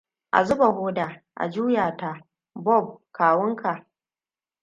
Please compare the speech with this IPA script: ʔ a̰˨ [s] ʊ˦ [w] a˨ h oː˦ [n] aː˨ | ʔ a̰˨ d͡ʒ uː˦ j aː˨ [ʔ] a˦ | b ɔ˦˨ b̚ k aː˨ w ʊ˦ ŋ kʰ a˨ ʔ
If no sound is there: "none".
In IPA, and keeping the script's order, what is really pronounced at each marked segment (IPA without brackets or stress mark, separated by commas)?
z, b, d, t